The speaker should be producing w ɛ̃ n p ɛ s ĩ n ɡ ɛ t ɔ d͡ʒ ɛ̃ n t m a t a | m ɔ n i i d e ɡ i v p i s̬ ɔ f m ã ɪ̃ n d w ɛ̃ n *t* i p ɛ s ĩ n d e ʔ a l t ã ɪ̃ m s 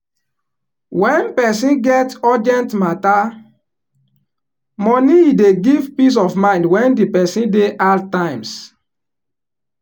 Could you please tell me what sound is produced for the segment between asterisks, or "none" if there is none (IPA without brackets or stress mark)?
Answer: d